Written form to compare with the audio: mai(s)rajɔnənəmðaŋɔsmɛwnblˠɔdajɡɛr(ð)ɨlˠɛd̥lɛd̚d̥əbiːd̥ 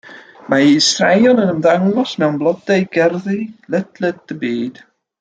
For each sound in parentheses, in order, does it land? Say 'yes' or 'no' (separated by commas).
yes, yes